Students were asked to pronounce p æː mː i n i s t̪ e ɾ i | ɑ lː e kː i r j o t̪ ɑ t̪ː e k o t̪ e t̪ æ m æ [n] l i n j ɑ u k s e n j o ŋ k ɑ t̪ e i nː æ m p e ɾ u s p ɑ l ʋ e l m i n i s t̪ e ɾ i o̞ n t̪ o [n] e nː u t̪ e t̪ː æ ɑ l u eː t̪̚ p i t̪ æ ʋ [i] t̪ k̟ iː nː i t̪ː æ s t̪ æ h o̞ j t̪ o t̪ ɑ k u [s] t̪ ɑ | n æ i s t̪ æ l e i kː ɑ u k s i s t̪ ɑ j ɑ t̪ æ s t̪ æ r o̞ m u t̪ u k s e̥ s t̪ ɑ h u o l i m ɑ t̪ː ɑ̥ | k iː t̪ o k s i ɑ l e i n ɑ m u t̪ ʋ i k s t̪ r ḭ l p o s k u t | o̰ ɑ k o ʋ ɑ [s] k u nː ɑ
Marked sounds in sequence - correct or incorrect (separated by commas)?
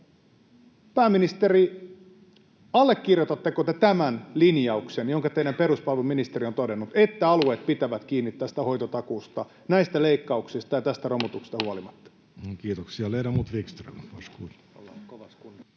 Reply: correct, incorrect, incorrect, correct, correct